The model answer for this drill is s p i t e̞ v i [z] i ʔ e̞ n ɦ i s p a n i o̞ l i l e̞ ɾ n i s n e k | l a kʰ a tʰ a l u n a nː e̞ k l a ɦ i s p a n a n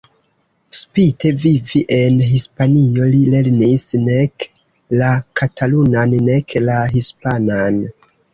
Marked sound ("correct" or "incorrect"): incorrect